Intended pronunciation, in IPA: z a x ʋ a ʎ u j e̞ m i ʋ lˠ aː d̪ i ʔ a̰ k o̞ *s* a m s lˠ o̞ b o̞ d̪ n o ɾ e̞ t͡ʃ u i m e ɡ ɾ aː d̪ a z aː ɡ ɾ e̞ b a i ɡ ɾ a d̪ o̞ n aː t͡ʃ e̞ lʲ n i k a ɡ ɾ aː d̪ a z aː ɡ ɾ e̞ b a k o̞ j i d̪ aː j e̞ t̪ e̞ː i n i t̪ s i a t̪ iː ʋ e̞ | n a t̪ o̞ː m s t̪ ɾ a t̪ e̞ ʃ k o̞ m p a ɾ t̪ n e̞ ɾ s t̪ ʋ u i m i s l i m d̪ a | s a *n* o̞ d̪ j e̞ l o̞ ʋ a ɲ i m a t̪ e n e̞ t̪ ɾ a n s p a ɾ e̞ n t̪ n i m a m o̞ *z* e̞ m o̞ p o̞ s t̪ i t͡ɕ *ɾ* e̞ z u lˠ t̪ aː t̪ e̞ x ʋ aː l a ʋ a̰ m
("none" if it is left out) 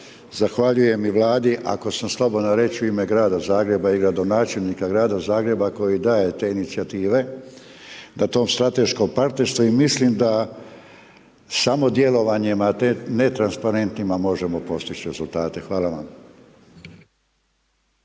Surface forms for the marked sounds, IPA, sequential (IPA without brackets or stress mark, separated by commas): s, m, ʒ, ɾ